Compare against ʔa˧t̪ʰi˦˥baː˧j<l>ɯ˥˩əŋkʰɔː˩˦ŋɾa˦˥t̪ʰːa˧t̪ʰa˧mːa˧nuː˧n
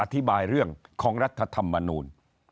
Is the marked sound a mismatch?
yes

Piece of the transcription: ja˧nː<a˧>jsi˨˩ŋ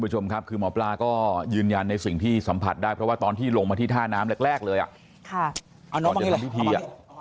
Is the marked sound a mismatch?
no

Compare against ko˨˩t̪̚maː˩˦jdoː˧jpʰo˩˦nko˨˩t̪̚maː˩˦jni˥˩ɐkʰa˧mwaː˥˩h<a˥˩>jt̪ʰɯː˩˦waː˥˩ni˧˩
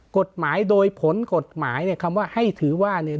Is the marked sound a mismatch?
no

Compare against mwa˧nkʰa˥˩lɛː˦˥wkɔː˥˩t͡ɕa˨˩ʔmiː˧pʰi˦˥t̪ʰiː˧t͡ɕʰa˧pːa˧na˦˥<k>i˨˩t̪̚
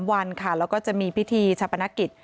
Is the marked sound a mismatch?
no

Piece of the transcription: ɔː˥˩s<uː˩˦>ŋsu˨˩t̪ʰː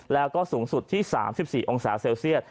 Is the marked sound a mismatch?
no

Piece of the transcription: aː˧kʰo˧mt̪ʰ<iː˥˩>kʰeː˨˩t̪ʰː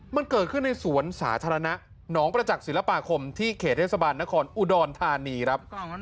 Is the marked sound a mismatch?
no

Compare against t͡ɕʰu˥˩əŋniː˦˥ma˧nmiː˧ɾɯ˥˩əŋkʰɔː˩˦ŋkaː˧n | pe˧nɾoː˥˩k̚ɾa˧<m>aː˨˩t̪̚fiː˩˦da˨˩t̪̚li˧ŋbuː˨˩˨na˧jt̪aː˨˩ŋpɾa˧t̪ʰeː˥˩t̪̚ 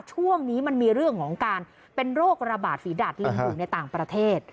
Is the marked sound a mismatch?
yes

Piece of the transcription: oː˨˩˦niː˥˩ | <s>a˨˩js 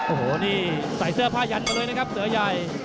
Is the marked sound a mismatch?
no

